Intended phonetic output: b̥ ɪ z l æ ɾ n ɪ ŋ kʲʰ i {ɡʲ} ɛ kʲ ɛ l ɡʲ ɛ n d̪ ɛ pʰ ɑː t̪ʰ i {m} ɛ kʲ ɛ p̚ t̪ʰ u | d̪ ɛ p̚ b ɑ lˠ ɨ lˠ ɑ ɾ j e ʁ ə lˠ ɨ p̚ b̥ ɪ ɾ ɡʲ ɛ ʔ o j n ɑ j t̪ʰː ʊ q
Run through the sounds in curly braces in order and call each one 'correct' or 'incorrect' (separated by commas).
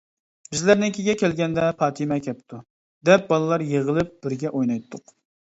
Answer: correct, correct